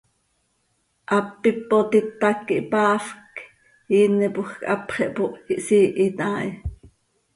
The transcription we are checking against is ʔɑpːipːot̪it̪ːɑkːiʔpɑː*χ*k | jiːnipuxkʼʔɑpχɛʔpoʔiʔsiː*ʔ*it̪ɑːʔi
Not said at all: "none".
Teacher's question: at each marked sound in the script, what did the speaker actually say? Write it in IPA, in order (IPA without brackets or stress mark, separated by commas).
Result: f, ʔ